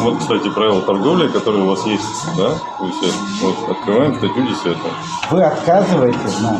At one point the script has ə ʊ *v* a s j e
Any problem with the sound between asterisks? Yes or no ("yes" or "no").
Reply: no